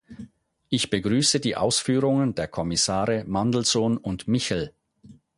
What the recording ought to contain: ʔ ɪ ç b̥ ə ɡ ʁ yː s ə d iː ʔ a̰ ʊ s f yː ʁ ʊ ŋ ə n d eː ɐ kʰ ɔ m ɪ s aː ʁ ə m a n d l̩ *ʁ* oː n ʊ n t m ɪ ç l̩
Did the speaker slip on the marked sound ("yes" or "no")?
yes